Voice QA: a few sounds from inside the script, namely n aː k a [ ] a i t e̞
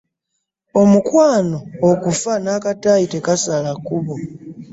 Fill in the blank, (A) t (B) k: A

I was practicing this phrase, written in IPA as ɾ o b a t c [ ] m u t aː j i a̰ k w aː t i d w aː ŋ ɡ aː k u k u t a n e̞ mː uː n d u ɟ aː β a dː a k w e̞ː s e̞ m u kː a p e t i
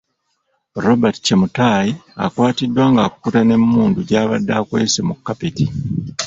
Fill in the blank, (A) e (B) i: A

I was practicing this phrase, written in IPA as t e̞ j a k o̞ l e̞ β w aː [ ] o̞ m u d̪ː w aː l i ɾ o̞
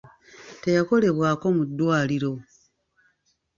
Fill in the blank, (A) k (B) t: A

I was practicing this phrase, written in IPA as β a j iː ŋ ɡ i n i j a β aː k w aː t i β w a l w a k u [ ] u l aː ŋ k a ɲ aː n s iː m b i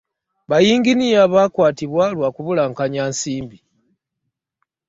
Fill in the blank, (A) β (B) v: A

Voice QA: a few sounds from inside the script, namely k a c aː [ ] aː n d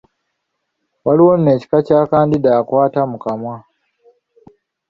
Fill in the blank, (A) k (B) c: A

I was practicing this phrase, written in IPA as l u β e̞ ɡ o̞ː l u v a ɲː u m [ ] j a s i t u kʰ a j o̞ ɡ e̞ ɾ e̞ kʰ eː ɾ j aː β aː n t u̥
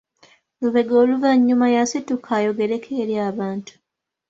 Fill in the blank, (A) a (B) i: A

